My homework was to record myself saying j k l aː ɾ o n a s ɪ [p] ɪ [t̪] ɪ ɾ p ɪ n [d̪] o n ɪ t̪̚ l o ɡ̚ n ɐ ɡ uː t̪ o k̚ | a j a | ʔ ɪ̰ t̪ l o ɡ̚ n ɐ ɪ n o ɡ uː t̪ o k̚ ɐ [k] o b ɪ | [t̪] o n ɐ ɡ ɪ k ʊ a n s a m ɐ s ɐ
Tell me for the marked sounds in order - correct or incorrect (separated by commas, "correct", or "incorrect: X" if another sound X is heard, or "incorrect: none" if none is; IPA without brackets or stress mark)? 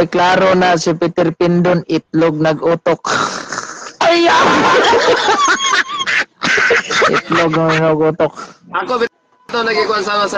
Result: correct, correct, correct, correct, correct